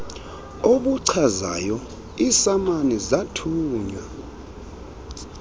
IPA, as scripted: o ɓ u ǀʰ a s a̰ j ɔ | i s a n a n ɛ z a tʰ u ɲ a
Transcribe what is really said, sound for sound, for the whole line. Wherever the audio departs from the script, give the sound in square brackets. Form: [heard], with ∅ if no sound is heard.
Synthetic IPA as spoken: o ɓ u ǀʰ a [z] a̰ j ɔ | i s a [m] a n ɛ z a tʰ [uː] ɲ a

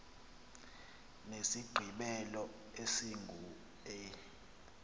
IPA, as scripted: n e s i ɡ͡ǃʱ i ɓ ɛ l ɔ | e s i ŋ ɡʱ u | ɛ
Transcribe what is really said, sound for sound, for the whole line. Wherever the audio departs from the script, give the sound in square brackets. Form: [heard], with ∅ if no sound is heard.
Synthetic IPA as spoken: n e s i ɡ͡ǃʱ i ɓ ɛ l ɔ | e s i ŋ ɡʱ u | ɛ

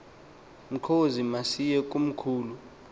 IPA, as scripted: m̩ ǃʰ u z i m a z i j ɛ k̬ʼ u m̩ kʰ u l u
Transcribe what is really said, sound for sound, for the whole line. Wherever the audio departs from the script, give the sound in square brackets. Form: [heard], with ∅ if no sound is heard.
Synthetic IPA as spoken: m̩ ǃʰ [o] z i m a [s] i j ɛ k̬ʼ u m̩ kʰ [uː] l u

